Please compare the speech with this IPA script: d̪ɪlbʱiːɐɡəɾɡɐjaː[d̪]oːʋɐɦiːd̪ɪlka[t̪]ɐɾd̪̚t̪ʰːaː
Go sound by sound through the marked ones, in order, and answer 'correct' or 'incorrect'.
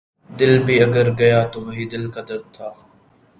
incorrect: t̪, incorrect: d̪

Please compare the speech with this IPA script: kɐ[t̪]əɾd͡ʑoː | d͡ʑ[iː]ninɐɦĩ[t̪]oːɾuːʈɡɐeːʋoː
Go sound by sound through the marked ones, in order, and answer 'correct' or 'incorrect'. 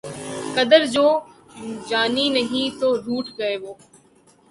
incorrect: d̪, incorrect: aː, correct

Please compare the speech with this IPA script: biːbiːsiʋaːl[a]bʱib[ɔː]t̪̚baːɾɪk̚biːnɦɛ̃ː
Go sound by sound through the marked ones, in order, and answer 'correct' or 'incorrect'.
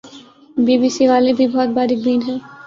incorrect: e, correct

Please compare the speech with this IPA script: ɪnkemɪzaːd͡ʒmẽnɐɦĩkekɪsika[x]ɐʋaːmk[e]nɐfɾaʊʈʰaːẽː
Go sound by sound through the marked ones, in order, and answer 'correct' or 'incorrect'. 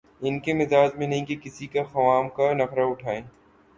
correct, incorrect: a

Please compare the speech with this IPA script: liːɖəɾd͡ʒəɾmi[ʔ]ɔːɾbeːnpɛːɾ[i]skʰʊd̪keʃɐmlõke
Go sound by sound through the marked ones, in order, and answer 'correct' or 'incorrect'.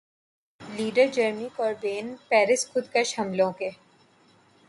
incorrect: k, incorrect: ɪ

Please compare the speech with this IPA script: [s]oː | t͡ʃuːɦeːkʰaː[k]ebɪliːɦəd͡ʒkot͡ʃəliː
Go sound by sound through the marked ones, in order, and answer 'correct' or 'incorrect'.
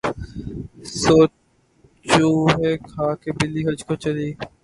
correct, correct

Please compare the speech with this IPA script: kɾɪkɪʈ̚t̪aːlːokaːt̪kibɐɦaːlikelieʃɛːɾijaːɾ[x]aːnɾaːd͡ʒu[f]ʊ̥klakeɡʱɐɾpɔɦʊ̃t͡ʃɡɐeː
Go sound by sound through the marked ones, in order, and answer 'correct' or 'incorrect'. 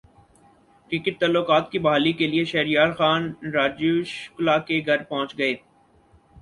correct, incorrect: ʃ

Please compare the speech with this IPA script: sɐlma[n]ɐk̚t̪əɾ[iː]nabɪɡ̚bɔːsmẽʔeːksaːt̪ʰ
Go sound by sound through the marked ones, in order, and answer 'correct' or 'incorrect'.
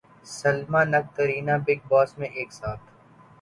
correct, correct

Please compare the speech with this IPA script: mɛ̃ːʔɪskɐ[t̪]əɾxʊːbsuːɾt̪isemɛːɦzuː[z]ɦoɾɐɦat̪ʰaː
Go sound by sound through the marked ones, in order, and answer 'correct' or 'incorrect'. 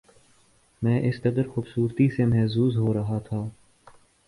incorrect: d̪, correct

